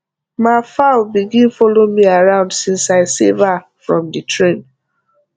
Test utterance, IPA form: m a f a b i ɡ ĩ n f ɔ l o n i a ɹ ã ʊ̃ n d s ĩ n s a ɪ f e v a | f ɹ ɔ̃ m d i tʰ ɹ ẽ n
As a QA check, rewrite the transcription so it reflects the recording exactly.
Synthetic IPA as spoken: m a f a b i ɡ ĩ n f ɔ l o m i a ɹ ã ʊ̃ n d s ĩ n s a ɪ s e v a | f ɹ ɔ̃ m d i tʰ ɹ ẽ n

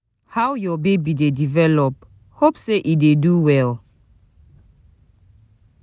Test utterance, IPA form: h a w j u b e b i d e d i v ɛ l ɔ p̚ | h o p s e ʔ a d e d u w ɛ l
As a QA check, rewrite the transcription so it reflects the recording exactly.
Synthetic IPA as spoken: h a w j ɔ b e b i d e d i v ɛ l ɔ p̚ | h o p s e ʔ i d e d u w ɛ l

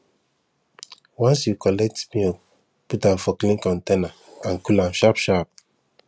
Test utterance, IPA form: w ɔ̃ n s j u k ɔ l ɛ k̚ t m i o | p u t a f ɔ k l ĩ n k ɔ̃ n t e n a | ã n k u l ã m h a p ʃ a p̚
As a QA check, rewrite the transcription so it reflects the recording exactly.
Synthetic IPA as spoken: w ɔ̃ n s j u k ɔ l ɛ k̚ t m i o | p u t a f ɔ k l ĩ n k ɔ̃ n t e n a | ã n k u l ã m ʃ a p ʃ a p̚

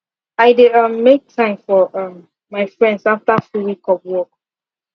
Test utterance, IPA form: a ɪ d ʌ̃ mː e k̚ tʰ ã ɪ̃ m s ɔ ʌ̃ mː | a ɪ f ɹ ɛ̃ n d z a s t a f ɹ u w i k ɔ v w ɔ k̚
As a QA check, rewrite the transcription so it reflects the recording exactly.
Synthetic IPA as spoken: a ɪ d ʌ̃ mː e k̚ tʰ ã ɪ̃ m f ɔ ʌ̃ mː | a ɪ f ɹ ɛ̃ n d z a f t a f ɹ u w i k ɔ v w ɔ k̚

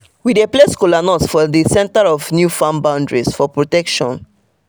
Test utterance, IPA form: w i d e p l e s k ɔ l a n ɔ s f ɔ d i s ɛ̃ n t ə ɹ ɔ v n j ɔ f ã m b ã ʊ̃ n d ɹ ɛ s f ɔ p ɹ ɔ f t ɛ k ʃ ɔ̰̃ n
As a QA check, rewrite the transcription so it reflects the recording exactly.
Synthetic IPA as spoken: w i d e p l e s k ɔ l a n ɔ s f ɔ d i s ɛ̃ n t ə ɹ ɔ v n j u f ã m b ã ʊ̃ n d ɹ i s f ɔ p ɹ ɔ t ɛ k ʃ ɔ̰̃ n

